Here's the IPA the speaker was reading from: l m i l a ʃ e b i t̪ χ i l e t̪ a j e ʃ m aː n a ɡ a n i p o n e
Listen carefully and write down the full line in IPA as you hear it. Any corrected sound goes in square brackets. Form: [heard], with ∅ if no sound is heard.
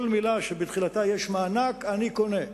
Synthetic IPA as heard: l m i l a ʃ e b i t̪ χ i l [a] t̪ a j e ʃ m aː n a [k] a n i [k] o n e